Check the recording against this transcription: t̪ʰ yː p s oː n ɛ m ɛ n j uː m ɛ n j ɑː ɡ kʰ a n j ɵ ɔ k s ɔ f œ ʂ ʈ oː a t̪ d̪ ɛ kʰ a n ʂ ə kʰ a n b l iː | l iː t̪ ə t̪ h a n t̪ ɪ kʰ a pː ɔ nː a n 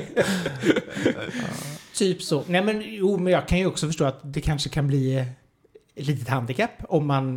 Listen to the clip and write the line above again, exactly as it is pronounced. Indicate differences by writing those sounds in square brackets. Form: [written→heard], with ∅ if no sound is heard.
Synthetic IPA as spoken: t̪ʰ yː p s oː n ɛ m ɛ n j uː m ɛ n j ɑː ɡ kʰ a n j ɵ ɔ k s ɔ f œ ʂ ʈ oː a t̪ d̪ ɛ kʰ a n ʂ ə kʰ a n b l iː | l iː t̪ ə t̪ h a n [t̪→d̪] ɪ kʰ a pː ɔ [nː→mː] a n